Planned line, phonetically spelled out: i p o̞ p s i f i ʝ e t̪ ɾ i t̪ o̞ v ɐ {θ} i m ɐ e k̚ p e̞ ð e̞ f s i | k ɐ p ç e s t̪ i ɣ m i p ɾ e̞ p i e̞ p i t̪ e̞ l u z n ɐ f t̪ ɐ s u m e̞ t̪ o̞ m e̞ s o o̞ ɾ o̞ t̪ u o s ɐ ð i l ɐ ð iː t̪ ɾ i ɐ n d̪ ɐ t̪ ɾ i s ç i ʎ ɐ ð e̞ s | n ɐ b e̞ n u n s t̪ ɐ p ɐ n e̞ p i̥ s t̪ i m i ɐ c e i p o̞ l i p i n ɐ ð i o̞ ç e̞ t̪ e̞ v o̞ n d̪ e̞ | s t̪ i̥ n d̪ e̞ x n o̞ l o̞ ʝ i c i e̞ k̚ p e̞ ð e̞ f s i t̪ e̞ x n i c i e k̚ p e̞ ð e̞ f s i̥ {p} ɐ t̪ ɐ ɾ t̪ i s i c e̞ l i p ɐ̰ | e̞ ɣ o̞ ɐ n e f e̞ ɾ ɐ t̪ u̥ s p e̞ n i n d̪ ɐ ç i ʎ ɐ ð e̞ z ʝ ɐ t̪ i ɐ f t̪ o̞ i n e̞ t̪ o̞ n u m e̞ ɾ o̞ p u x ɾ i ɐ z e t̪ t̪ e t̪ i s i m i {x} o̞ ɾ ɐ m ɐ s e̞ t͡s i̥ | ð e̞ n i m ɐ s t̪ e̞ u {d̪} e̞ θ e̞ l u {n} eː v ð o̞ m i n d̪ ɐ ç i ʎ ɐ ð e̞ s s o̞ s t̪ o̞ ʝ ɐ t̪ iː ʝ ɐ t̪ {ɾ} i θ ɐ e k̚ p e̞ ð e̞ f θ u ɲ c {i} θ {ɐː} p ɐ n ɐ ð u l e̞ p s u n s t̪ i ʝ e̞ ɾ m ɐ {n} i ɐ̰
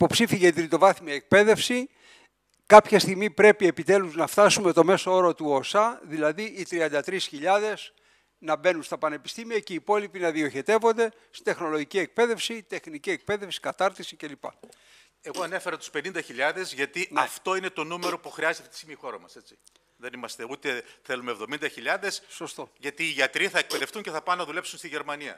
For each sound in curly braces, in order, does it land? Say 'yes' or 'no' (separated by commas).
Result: yes, no, yes, no, no, yes, no, no, yes